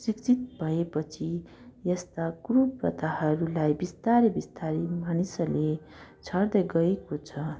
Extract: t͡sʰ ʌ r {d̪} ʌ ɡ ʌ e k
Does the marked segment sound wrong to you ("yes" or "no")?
no